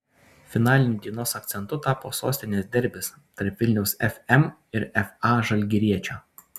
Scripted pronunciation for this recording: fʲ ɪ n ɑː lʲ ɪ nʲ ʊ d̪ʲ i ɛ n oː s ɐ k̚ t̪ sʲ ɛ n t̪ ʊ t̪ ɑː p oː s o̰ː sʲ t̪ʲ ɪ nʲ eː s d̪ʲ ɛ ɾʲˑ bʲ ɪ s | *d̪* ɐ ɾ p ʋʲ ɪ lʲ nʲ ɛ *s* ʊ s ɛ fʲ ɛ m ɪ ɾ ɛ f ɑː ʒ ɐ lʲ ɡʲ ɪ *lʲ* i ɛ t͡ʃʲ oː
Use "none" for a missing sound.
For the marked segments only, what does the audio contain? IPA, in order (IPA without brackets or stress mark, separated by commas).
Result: t̪, none, ɾʲ